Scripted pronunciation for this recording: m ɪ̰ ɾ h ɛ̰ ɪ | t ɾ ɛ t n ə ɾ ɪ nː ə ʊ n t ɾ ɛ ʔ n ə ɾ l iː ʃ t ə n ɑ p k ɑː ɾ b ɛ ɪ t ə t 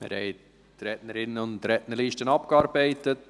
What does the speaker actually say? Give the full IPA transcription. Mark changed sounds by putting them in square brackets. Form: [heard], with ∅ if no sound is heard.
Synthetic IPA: m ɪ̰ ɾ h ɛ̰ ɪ | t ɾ ɛ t n ə ɾ ɪ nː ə ʊ n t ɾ ɛ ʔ n ə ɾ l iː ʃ t ə n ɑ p k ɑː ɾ b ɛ ɪ t ə t